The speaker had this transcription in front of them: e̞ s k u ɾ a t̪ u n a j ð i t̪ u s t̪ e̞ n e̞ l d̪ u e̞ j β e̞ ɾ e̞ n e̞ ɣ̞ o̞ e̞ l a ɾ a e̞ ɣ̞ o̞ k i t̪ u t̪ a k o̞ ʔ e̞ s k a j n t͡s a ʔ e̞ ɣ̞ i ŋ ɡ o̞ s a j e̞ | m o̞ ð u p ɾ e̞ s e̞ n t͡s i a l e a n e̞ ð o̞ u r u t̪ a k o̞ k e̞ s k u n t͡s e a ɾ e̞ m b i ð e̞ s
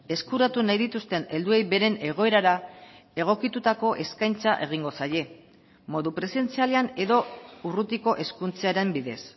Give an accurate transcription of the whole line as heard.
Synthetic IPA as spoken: e̞ s k u ɾ a t̪ u n a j ð i t̪ u s t̪ e̞ n e̞ l d̪ u e̞ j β e̞ ɾ e̞ n e̞ ɣ̞ o̞ e̞ ɾ a ɾ a e̞ ɣ̞ o̞ k i t̪ u t̪ a k o̞ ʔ e̞ s k a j n t͡s a ʔ e̞ ɣ̞ i ŋ ɡ o̞ s a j e̞ | m o̞ ð u p ɾ e̞ s e̞ n t͡s i a l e a n e̞ ð o̞ u r u t̪ i k o̞ ʔ e̞ s k u n t͡s e a ɾ e̞ m b i ð e̞ s